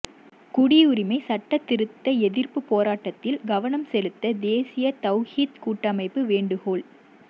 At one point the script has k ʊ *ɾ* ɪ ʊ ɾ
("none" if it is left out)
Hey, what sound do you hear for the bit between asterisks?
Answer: ɽ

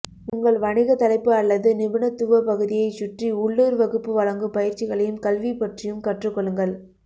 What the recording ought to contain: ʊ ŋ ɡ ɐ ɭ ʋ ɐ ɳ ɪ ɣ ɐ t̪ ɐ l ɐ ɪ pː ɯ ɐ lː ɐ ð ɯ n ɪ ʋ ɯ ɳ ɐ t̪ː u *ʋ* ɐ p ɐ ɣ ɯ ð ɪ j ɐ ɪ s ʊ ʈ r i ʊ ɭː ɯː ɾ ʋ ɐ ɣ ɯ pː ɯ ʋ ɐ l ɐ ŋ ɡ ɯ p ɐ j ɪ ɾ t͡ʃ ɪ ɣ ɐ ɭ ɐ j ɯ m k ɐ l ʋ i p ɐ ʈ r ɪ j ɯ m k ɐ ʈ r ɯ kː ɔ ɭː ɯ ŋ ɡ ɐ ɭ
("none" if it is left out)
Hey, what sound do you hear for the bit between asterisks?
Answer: ʋ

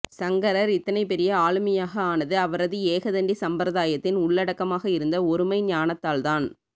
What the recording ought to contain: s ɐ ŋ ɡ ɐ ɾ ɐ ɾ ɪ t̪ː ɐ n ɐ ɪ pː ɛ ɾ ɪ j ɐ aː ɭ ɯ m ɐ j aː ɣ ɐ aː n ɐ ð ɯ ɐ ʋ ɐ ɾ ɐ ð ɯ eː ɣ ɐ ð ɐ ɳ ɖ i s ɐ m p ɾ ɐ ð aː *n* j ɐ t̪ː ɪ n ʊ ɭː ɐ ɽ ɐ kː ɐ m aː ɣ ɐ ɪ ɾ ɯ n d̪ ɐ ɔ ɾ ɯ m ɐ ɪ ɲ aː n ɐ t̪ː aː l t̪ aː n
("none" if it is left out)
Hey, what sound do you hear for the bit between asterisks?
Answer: none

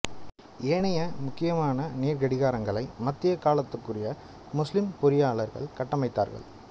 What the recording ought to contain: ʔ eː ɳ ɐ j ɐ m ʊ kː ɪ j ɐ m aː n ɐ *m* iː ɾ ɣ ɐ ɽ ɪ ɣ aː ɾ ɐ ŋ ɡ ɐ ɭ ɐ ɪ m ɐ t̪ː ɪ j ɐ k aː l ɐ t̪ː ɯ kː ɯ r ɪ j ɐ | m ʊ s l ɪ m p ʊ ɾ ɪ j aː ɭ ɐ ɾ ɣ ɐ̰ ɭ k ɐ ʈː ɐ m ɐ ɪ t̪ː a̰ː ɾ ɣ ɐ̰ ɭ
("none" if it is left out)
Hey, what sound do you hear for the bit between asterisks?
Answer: n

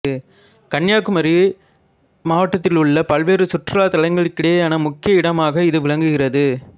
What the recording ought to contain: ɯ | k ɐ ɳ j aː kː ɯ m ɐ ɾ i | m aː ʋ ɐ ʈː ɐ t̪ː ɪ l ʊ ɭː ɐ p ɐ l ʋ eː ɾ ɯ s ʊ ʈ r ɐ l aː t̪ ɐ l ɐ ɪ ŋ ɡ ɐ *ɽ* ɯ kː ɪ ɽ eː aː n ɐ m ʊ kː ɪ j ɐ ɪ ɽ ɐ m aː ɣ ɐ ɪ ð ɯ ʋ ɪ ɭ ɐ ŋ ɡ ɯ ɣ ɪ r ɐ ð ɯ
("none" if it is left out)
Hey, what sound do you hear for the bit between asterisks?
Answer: ɭ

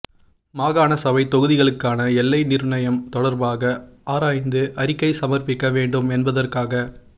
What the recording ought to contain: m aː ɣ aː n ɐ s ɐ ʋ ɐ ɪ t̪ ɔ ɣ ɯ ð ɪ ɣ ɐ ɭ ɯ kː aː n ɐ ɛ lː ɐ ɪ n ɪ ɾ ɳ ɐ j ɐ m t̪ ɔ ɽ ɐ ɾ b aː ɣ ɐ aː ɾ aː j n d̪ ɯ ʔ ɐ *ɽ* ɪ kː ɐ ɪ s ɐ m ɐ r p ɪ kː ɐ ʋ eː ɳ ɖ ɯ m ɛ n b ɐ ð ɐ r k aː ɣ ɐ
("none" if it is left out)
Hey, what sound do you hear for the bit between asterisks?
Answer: ɾ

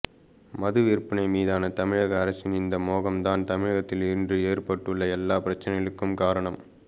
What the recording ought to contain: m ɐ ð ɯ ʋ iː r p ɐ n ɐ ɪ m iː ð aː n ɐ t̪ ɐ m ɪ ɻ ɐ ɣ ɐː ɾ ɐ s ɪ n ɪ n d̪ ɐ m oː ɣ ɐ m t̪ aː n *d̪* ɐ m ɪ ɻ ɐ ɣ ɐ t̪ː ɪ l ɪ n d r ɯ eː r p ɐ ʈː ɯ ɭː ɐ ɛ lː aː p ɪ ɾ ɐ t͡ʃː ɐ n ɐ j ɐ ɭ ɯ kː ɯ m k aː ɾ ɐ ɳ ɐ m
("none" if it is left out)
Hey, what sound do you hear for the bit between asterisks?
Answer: t̪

